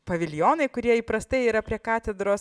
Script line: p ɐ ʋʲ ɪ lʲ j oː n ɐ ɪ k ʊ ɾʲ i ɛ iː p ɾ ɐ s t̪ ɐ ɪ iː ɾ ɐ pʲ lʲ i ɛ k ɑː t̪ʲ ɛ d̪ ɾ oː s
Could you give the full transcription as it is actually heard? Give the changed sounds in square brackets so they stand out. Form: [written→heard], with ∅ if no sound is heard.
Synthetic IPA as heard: p ɐ ʋʲ ɪ lʲ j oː n ɐ ɪ k ʊ ɾʲ i ɛ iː p ɾ ɐ s t̪ ɐ ɪ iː ɾ ɐ pʲ [lʲ→ɾʲ] i ɛ k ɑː t̪ʲ ɛ d̪ ɾ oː s